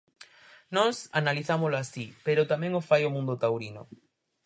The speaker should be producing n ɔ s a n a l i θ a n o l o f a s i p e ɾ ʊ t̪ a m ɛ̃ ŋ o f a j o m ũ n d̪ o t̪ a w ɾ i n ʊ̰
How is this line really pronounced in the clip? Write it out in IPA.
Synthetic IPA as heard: n ɔ s a n a l i θ a m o l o a s i p e ɾ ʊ t̪ a m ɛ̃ ŋ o f a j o m ũ n d̪ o t̪ a w ɾ i n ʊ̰